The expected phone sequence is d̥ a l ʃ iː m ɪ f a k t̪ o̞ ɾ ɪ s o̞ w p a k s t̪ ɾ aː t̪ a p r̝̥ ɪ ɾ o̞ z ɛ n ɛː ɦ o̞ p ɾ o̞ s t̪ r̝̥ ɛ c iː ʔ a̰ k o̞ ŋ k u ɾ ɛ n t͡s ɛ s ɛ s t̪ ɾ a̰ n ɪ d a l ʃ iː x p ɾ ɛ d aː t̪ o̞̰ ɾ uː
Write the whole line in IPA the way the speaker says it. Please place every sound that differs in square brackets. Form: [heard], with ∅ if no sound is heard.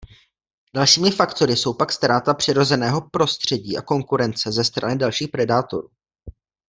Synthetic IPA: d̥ a l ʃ iː m ɪ f a k t̪ o̞ ɾ ɪ s o̞ w p a k s t̪ ɾ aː t̪ a p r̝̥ ɪ ɾ o̞ z ɛ n ɛː ɦ o̞ p ɾ o̞ s t̪ r̝̥ ɛ [ɟ] iː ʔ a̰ k o̞ ŋ k u ɾ ɛ n t͡s ɛ [z] ɛ s t̪ ɾ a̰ n ɪ d a l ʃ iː x p ɾ ɛ d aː t̪ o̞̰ ɾ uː